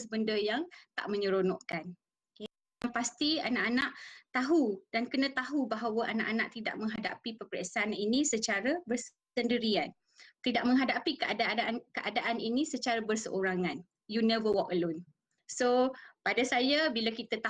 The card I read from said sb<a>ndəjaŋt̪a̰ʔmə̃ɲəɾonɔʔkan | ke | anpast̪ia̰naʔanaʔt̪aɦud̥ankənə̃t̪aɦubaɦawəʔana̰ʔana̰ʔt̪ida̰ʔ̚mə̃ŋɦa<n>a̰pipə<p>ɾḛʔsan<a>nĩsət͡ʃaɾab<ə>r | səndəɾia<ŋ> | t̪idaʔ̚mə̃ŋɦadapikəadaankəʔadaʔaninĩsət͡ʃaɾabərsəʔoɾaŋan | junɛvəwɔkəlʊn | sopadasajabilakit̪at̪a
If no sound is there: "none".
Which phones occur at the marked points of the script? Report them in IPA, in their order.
ə, d, p, i, ə, n

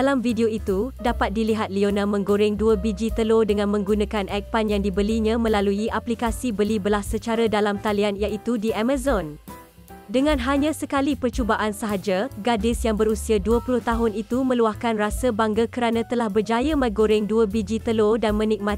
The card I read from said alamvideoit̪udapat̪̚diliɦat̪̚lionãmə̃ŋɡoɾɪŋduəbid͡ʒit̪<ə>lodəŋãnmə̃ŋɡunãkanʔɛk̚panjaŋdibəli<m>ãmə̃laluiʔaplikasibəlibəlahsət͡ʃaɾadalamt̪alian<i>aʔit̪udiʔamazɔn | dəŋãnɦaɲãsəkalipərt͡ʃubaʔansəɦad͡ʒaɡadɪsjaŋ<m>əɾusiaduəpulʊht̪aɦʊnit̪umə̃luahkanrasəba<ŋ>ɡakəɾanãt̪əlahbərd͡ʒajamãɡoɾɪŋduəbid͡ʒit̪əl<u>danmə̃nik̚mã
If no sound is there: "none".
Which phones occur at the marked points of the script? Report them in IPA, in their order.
ə, ɲ, j, b, ŋ, o

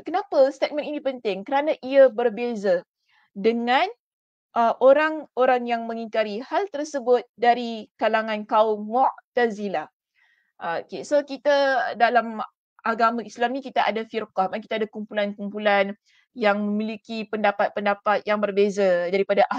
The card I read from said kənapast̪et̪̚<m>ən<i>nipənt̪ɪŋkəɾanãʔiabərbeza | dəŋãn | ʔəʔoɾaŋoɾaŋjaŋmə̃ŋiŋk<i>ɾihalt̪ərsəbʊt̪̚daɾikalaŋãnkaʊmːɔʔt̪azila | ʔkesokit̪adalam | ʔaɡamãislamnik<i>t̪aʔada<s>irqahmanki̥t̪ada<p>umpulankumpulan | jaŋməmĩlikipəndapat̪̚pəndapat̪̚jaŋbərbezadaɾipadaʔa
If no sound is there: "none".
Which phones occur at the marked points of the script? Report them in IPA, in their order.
m, i, a, i, f, k

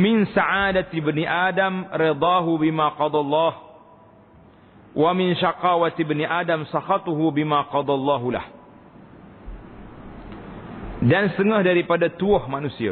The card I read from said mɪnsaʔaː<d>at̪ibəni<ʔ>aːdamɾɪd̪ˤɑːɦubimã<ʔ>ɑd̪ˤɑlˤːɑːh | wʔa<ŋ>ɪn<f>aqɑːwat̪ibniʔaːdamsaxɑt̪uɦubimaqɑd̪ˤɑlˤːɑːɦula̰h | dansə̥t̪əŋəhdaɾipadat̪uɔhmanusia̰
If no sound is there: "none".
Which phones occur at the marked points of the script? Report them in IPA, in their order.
d, ʔ, q, m, ʃ

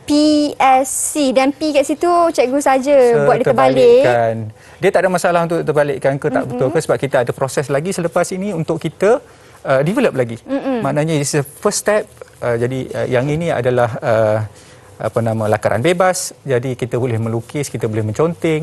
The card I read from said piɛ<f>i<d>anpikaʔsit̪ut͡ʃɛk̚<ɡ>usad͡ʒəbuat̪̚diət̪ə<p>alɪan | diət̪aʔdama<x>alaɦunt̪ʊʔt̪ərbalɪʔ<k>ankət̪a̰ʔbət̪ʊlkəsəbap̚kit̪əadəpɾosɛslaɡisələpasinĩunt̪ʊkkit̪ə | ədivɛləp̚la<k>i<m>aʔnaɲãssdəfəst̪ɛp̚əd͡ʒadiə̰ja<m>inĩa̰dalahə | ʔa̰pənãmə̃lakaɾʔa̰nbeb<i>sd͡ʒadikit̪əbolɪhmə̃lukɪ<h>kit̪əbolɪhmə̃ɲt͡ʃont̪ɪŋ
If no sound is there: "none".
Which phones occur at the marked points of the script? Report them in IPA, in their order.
s, d, ɡ, b, s, k, ɡ, m, ŋ, a, s

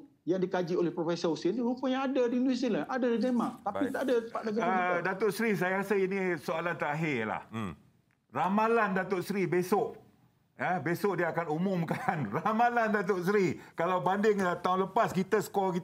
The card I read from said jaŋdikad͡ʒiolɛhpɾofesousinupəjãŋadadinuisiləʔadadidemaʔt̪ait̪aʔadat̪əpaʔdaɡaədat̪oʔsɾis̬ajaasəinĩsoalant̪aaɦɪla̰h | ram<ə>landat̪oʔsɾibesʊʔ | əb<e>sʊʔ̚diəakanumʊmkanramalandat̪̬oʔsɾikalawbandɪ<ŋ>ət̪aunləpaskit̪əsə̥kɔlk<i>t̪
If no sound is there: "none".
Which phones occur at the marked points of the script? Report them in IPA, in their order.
a, e, ŋ, i

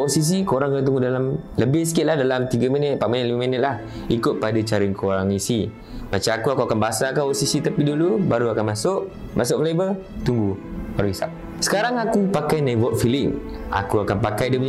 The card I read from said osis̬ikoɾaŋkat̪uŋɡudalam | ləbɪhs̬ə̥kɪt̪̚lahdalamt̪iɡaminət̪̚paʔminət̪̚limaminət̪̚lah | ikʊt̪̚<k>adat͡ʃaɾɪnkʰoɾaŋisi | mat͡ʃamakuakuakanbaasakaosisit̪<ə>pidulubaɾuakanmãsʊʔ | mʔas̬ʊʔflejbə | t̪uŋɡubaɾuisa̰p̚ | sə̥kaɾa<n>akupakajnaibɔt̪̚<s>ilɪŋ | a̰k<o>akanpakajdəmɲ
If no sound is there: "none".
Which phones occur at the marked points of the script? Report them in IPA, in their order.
p, a, ŋ, f, u

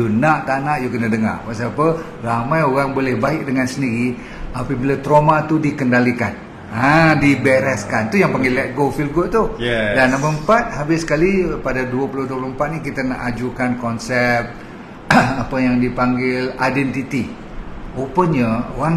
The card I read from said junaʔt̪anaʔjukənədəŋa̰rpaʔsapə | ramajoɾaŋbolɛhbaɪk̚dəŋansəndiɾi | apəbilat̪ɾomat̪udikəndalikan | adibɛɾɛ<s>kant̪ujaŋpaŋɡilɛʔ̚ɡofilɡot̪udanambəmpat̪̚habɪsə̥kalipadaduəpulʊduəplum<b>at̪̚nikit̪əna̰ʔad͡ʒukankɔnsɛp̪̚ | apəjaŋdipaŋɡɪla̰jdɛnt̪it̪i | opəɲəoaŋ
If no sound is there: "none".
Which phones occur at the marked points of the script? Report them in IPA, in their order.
s, p

